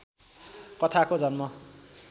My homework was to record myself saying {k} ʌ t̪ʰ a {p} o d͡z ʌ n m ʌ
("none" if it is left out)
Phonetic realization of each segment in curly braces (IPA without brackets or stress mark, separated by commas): k, k